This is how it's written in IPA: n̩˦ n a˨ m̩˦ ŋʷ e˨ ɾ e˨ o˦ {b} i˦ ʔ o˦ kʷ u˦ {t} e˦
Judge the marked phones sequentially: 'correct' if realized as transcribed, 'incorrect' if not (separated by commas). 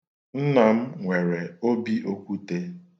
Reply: correct, correct